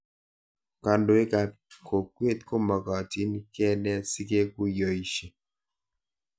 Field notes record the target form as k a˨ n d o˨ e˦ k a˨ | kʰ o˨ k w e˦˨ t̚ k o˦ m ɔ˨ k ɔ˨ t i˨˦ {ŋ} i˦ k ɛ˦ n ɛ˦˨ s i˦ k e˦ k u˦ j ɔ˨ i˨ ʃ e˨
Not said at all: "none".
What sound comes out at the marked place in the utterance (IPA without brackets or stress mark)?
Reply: n